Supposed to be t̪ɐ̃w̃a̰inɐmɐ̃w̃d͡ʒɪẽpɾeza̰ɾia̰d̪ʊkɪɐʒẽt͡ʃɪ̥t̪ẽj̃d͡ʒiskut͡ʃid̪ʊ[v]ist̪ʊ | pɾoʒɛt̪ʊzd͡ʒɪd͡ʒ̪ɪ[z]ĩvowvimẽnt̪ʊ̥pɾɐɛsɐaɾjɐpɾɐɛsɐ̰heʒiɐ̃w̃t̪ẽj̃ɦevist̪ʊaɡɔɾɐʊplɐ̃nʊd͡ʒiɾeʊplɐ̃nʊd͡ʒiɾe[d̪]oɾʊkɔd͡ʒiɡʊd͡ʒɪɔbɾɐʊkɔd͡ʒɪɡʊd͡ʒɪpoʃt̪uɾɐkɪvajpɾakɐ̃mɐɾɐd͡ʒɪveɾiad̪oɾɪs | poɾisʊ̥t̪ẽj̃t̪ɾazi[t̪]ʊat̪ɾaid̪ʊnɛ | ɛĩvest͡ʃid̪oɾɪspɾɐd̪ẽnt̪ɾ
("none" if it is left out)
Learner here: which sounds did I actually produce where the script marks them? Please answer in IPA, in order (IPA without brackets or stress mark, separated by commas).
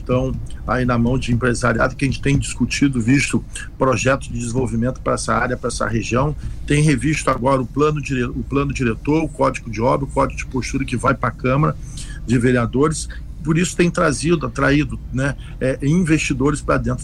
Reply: v, z, t̪, d̪